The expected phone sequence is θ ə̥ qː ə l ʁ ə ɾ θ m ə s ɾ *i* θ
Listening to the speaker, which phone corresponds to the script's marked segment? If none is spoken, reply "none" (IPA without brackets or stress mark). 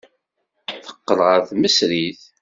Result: i